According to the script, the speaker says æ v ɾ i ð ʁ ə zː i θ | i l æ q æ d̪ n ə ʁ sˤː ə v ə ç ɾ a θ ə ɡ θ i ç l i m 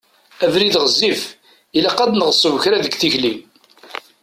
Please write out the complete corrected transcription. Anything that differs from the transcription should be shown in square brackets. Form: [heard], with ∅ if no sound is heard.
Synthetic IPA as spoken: æ v ɾ i ð ʁ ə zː i [f] | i l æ q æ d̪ n ə ʁ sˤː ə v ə ç ɾ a [ð] ə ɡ θ i ç l i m